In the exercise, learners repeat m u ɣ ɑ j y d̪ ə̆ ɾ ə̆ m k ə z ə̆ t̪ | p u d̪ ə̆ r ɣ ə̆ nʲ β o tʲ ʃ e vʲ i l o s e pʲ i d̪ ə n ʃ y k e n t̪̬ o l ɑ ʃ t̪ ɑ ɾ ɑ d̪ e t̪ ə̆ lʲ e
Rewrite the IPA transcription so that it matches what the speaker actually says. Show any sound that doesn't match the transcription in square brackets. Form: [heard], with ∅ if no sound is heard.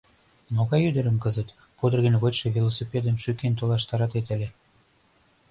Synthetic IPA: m [o] ɣ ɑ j y d̪ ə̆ ɾ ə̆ m k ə z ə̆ t̪ | p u d̪ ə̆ r ɣ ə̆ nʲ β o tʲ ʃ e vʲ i l o s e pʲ [e] d̪ ə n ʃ y k e n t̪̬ o l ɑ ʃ t̪ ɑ ɾ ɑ [t̪] e t̪ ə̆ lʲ e